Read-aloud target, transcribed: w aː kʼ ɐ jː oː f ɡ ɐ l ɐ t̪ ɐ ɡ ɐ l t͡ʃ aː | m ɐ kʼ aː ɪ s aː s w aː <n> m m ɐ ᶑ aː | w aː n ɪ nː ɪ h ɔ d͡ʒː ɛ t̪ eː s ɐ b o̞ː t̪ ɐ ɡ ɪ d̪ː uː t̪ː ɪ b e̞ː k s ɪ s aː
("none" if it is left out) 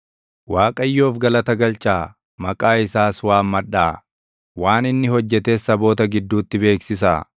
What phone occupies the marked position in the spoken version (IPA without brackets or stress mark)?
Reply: none